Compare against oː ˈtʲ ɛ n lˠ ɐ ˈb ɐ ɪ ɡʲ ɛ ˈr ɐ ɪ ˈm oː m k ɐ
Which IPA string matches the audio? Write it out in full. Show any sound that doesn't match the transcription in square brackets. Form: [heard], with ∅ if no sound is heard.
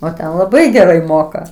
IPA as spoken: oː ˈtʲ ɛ n lˠ ɐ ˈb ɐ ɪ ɡʲ ɛ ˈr ɐ ɪ ˈm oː [∅] k ɐ

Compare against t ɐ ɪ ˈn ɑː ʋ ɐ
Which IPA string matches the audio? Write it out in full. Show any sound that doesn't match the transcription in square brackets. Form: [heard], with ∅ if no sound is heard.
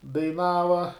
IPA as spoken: [d] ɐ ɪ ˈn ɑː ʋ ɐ

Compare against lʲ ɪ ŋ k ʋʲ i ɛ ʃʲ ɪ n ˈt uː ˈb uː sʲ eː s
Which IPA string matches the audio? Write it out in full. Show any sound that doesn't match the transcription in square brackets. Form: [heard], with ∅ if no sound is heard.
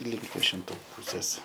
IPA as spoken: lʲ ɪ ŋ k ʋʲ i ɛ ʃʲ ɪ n ˈt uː [ˈp] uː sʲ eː s

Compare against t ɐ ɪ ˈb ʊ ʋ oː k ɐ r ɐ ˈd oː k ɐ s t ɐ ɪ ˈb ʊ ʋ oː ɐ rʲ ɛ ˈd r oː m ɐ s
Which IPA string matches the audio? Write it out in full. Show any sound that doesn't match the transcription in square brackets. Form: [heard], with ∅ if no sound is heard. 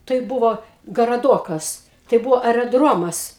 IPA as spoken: t ɐ ɪ ˈb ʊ ʋ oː [ɡ] ɐ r ɐ ˈd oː k ɐ s t ɐ ɪ ˈb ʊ ʋ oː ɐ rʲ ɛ ˈd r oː m ɐ s

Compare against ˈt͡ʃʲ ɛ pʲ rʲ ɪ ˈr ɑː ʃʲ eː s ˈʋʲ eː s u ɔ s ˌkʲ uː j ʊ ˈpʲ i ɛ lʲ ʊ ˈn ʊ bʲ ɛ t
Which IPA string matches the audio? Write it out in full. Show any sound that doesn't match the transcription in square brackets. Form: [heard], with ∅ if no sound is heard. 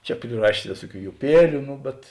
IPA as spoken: ˈt͡ʃʲ ɛ pʲ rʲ ɪ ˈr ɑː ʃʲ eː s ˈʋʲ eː s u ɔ [∅] ˌkʲ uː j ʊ ˈpʲ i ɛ lʲ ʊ ˈn ʊ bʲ ɛ t

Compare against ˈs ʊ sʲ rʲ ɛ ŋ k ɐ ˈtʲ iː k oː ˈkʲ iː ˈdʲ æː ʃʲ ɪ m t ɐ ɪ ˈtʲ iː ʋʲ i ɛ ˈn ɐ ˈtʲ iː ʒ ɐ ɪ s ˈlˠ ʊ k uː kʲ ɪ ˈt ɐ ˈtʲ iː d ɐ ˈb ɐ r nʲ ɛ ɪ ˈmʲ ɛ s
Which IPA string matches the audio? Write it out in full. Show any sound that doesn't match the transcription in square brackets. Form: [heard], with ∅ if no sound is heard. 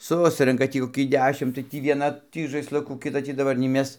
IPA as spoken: ˈs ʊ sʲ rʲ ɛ ŋ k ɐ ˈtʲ iː k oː ˈkʲ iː ˈdʲ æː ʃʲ ɪ m t ɐ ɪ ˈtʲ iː ʋʲ i ɛ ˈn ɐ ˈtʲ iː ʒ ɐ ɪ s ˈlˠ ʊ k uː kʲ ɪ ˈt ɐ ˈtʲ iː d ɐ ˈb ɐ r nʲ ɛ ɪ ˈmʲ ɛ s

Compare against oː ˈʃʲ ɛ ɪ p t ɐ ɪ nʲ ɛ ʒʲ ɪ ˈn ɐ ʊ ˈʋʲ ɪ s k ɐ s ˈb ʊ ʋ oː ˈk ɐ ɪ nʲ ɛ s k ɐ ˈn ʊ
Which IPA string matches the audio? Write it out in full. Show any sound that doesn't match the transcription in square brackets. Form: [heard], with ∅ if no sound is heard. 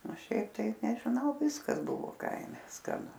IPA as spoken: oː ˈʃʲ ɛ ɪ p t ɐ ɪ nʲ ɛ ʒʲ ɪ ˈn ɐ ʊ ˈʋʲ ɪ s k ɐ s ˈb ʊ ʋ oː ˈk ɐ ɪ [mʲ] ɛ s k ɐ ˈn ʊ

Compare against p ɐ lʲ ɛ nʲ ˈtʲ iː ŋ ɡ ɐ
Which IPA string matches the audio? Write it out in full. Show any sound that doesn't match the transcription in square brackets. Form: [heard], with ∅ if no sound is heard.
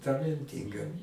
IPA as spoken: [t] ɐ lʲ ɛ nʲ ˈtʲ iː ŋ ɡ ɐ

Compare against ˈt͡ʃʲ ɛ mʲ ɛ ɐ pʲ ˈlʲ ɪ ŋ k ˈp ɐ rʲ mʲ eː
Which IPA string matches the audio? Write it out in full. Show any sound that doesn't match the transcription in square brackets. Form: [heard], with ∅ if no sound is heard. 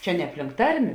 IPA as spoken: ˈt͡ʃʲ ɛ [nʲ] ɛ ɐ pʲ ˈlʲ ɪ ŋ k [ˈt] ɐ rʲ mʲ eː

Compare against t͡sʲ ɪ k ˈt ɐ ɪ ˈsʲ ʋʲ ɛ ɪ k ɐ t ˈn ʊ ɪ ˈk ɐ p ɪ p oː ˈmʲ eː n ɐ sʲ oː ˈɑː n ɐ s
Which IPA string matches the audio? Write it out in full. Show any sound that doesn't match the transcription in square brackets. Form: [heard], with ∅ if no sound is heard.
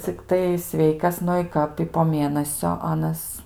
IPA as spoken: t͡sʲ ɪ k ˈt ɐ ɪ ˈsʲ ʋʲ ɛ ɪ k ɐ [s] ˈn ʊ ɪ ˈk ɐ p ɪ p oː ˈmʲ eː n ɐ sʲ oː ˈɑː n ɐ s

